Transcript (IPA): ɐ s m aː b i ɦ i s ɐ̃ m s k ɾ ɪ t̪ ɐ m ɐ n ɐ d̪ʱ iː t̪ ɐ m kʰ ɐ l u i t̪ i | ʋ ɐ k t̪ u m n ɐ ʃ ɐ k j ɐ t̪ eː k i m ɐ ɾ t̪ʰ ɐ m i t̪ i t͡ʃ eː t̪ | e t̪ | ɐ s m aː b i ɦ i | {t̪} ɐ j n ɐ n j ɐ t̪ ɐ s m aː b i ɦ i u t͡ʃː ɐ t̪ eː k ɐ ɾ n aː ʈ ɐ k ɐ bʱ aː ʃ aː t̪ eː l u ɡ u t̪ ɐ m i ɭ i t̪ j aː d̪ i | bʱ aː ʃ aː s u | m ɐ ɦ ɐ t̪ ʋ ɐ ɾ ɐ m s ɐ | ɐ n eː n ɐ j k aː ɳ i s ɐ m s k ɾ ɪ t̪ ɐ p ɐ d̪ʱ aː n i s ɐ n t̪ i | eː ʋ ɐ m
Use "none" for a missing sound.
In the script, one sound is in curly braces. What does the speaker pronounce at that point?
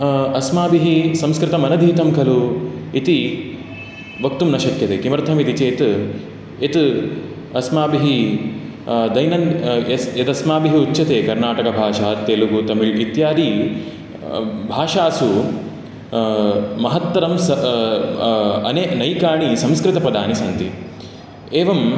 d̪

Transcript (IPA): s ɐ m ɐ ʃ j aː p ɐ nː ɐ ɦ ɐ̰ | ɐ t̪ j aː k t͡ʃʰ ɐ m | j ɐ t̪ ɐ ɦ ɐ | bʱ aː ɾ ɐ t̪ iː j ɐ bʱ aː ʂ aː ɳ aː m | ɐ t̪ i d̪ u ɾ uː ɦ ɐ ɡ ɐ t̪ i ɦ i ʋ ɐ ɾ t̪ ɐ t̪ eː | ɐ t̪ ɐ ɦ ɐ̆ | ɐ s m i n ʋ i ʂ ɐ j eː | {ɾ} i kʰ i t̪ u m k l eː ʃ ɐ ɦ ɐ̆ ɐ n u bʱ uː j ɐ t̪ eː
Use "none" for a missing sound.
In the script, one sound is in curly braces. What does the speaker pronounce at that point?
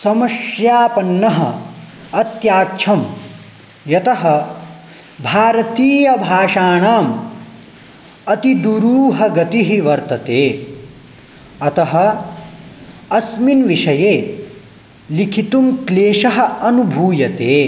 l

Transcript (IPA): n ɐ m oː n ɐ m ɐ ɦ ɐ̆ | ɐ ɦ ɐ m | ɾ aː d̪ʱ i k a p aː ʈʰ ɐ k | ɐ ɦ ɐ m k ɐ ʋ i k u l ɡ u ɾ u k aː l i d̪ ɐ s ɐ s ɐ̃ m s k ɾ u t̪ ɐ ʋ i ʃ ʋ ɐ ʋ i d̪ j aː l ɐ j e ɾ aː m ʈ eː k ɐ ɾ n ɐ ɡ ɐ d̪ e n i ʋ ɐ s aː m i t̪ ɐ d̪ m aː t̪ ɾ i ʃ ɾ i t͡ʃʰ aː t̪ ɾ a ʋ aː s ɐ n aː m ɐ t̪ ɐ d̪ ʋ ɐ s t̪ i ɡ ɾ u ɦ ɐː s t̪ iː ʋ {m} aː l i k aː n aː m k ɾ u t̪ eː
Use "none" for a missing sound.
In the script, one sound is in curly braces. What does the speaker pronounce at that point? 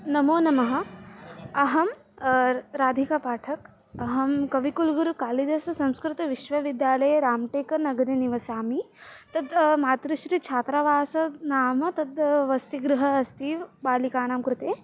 b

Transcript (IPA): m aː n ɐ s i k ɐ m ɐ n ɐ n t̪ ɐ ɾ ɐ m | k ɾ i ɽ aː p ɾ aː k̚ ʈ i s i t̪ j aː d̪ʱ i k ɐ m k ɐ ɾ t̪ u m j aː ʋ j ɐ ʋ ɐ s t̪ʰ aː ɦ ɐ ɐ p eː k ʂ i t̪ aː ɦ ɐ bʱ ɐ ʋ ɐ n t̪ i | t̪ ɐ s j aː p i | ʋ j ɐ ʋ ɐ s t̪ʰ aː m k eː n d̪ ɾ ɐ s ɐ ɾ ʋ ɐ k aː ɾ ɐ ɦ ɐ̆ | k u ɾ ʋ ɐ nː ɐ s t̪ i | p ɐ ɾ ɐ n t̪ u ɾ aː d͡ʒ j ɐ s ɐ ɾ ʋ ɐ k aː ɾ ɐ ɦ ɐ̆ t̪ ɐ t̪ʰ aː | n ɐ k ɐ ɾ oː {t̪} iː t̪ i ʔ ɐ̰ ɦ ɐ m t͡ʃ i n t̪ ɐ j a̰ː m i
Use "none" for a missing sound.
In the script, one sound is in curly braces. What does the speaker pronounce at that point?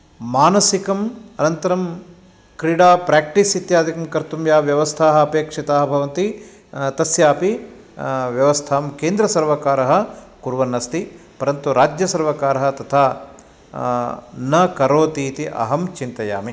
t̪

